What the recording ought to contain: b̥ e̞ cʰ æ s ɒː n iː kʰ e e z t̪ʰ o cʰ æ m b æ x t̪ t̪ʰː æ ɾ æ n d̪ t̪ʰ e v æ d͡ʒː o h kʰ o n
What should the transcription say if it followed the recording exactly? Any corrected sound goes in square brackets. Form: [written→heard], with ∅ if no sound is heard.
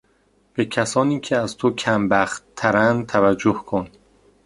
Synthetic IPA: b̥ e̞ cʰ æ s ɒː n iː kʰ e [e→æ] z t̪ʰ o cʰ æ m b æ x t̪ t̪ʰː æ ɾ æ n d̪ t̪ʰ [e→æ] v æ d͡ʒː o h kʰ o n